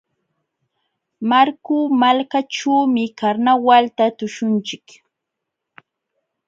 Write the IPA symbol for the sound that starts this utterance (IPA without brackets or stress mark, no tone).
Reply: m